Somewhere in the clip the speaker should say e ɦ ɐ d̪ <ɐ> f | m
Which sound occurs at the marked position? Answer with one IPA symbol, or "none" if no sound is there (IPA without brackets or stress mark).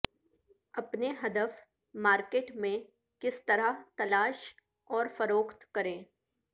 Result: ə